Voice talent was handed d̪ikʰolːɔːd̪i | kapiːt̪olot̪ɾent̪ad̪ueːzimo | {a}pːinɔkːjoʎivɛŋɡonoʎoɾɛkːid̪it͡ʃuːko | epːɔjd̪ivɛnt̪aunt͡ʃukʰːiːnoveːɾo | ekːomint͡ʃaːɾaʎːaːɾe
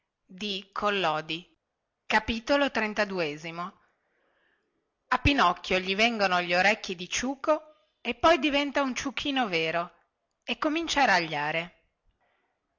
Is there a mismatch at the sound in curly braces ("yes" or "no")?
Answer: no